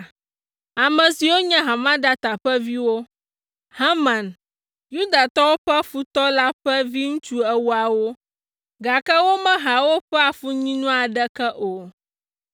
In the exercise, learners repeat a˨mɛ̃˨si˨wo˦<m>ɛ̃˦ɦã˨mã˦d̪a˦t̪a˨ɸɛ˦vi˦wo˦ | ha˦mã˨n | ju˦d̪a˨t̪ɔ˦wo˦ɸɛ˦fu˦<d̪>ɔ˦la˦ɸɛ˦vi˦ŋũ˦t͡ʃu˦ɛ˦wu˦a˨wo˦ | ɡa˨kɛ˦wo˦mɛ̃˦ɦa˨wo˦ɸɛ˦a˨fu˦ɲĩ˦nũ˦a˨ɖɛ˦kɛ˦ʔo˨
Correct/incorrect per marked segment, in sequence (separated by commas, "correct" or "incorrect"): incorrect, incorrect